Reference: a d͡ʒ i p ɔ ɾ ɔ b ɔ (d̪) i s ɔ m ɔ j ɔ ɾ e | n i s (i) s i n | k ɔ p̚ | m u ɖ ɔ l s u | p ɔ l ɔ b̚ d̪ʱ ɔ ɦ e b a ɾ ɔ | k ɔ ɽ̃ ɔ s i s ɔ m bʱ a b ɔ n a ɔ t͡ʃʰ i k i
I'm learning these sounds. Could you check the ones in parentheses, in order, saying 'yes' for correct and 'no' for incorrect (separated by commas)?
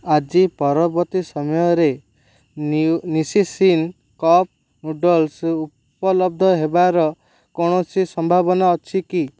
no, yes